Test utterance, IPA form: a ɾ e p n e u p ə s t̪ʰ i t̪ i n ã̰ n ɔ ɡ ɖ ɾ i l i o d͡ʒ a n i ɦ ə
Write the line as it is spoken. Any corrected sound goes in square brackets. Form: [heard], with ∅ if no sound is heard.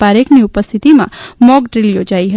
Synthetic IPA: a ɾ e [k] n [i] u p ə s t̪ʰ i t̪ i [m] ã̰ [m] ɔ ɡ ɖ ɾ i l [j] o d͡ʒ a [∅] i ɦ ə